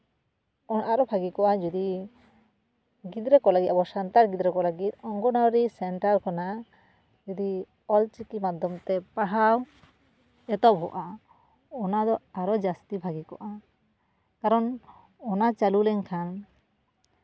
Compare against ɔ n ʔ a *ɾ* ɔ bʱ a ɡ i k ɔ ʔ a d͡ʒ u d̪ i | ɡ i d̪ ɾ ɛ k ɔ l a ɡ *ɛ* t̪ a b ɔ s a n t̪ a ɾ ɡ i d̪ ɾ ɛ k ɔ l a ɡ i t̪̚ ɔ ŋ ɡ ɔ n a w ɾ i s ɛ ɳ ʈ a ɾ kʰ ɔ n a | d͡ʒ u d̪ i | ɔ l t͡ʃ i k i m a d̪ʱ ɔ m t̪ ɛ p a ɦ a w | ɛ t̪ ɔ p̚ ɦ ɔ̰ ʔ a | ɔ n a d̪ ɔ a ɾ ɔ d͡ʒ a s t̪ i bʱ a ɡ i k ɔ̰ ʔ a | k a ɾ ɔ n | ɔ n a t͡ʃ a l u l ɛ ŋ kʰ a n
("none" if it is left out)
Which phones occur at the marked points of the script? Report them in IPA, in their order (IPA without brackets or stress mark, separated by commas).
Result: ɾ, i